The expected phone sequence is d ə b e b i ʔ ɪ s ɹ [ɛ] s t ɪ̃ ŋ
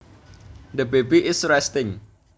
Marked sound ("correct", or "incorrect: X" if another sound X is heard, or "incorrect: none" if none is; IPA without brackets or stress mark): correct